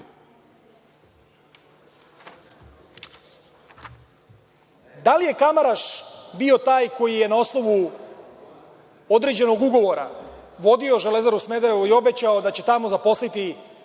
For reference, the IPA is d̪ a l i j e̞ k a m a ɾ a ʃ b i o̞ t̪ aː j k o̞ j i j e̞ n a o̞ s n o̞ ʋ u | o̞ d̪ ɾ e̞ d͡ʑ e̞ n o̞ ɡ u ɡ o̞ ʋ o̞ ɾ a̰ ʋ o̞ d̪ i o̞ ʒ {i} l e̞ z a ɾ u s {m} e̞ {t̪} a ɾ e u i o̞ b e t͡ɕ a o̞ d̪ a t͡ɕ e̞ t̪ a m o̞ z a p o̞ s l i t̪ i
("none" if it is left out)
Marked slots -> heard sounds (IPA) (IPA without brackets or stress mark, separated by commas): e, m, d̪